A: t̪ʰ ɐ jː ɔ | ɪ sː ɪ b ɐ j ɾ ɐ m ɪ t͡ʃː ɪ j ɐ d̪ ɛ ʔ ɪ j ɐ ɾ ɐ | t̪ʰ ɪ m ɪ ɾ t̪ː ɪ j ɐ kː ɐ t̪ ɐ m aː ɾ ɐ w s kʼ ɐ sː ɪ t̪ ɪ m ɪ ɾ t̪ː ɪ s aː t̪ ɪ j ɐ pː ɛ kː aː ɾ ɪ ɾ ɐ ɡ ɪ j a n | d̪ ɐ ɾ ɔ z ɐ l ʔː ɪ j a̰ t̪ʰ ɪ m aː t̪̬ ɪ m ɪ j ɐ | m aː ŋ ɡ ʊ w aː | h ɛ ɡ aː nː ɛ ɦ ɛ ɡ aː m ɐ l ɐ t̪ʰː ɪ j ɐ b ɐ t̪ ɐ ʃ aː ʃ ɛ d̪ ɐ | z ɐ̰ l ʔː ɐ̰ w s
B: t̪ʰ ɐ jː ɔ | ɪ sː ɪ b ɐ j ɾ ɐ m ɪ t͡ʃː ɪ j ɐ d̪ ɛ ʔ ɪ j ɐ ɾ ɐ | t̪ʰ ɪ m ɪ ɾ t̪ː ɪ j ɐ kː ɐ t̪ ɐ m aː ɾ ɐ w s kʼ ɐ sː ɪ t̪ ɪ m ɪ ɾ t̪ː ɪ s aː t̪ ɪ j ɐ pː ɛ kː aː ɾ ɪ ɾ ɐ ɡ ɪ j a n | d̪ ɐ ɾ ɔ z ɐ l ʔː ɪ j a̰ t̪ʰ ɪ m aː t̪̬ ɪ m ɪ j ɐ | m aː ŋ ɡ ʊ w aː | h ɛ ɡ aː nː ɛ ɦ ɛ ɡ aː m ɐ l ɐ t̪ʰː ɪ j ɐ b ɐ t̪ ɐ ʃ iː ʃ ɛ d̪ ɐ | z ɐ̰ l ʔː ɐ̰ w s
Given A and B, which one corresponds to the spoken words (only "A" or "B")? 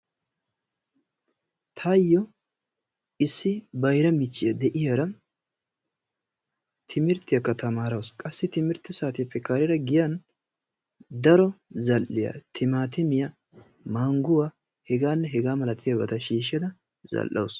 B